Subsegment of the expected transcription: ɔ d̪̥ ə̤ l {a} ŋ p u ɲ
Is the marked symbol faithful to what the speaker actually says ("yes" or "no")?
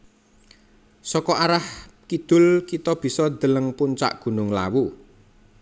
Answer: no